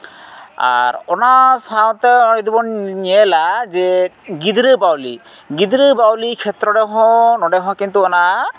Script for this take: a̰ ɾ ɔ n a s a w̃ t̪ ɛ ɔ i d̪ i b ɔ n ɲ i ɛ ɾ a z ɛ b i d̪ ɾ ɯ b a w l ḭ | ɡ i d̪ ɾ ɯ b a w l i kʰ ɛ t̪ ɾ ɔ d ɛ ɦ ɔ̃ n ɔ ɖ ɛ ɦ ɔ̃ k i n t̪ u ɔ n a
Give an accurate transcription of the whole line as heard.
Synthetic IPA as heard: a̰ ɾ ɔ n a s a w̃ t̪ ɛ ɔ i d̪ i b ɔ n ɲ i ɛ l a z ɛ ɡ i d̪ ɾ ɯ b a w l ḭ | ɡ i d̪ ɾ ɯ b a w l i kʰ ɛ t̪ ɾ ɔ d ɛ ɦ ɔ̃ n ɔ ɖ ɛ ɦ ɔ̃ k i n t̪ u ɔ n a